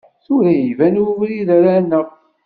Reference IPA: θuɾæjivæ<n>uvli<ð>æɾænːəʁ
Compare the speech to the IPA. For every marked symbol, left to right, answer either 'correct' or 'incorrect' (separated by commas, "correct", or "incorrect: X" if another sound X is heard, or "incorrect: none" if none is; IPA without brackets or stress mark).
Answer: correct, correct